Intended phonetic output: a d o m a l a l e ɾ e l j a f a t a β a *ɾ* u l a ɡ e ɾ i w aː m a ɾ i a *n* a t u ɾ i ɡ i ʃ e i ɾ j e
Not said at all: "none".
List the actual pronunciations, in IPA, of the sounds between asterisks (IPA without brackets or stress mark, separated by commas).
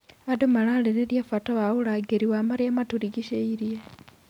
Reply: none, m